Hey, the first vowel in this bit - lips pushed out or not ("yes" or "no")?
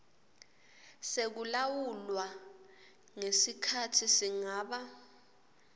no